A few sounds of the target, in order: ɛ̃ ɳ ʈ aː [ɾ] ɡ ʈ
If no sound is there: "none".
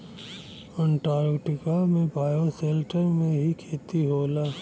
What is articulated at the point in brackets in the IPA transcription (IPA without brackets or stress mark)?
ɾ